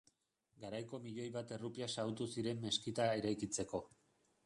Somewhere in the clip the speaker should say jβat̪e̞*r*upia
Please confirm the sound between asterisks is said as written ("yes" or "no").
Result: yes